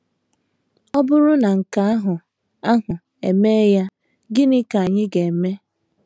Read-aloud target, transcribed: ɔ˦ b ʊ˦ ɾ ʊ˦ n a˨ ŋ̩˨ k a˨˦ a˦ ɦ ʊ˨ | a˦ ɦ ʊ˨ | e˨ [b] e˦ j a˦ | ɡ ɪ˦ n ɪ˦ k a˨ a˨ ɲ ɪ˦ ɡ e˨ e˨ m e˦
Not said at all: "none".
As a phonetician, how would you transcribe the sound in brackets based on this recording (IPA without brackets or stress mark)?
m